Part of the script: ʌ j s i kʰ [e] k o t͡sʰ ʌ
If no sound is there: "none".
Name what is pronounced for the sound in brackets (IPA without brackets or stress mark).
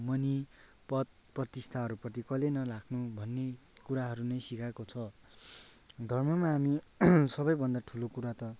a